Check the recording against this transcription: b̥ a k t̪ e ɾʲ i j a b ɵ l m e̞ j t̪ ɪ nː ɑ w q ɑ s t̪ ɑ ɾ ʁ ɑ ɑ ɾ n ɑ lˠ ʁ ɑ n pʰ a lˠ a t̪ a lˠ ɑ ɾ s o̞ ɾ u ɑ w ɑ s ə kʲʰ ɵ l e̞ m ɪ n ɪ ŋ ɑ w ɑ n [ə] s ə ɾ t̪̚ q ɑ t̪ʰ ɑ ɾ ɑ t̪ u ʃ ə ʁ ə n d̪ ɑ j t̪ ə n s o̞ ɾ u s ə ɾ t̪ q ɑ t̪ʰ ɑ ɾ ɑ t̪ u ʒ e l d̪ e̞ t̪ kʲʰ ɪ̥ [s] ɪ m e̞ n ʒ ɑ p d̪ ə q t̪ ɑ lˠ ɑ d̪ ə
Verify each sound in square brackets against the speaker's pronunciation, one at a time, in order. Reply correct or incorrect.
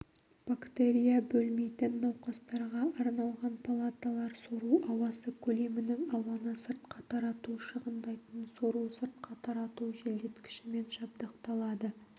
correct, incorrect: ʃ

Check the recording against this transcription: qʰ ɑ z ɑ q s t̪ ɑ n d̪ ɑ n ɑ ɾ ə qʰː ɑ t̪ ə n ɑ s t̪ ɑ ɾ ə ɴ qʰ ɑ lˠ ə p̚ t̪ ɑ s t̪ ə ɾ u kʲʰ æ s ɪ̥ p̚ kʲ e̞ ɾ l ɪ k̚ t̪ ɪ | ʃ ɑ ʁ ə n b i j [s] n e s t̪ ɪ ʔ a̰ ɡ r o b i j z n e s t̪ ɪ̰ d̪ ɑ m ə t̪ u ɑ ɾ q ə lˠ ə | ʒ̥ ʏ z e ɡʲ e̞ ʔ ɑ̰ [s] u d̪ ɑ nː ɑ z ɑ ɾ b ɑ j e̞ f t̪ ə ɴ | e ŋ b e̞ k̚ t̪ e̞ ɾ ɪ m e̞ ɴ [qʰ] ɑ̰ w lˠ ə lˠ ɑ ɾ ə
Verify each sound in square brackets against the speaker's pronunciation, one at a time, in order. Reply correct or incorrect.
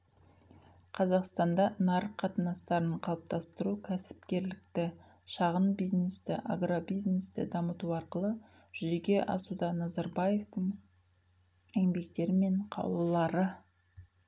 incorrect: z, correct, correct

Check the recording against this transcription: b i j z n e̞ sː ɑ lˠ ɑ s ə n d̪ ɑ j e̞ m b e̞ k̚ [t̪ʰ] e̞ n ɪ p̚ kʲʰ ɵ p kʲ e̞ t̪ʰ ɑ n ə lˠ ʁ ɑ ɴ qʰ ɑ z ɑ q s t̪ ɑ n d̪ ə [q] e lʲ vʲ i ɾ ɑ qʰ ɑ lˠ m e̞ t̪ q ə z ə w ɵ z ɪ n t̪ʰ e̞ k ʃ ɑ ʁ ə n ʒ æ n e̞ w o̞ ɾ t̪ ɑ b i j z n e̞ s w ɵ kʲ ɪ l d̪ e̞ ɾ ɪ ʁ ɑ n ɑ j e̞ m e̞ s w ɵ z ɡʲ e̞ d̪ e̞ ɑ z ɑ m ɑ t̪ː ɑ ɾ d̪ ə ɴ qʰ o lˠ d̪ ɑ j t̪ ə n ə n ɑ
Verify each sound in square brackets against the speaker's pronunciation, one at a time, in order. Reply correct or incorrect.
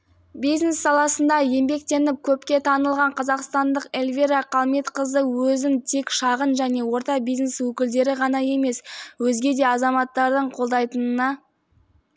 incorrect: t̪, correct

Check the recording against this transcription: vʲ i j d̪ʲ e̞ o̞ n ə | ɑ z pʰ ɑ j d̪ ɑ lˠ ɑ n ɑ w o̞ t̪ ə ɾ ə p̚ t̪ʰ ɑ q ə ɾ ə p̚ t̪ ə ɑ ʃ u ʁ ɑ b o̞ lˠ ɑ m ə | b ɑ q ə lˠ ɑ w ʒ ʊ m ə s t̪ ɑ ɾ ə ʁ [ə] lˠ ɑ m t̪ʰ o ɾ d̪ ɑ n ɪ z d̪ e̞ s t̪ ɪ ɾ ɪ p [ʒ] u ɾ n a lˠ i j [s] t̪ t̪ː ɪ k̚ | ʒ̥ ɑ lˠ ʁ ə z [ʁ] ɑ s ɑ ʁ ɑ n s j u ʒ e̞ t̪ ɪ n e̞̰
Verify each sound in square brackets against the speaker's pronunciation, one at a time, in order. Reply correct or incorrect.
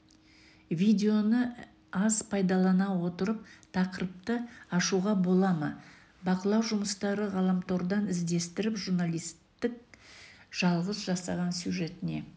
incorrect: ɑ, correct, correct, incorrect: ʒ

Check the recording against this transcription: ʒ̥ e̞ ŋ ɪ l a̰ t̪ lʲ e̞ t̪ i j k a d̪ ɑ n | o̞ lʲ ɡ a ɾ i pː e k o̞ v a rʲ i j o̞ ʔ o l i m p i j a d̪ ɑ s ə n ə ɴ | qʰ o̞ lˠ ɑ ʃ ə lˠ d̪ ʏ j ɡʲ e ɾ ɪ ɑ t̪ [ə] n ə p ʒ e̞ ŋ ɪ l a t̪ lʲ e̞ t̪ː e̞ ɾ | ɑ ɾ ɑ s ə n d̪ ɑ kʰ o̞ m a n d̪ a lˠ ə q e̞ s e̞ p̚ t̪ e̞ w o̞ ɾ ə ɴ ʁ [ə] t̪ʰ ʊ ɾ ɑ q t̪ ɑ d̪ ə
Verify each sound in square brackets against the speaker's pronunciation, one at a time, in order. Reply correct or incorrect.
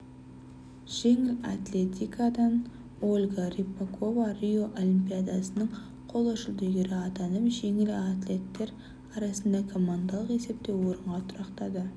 incorrect: ɑ, incorrect: ɑ

